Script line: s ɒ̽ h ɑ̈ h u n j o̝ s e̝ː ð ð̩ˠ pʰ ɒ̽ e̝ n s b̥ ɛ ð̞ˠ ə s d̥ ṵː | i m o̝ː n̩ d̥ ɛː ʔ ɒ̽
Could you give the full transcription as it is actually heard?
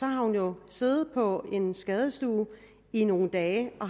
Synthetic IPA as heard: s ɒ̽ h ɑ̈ h u n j o̝ s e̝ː ð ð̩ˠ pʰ ɒ̽ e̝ n s ɡ̥ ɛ ð̞ˠ ə s d̥ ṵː | i n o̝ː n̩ d̥ ɛː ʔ ɒ̽